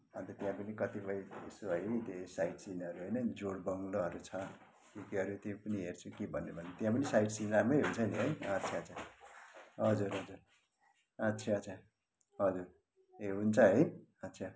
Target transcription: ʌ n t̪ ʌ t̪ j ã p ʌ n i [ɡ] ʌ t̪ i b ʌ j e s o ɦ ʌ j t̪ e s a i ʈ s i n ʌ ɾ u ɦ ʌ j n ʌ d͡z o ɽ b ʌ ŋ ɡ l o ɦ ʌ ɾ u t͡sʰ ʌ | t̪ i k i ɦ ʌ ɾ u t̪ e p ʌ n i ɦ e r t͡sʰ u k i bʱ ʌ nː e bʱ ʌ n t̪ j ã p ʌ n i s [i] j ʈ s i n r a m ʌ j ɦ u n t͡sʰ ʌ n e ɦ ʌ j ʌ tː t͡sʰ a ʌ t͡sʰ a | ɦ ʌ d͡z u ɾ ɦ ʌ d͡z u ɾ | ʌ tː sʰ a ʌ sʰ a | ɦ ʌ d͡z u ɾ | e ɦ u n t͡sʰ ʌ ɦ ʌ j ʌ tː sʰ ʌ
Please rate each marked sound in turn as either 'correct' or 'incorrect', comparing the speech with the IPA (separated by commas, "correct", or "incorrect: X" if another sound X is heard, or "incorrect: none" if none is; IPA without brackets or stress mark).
incorrect: k, incorrect: a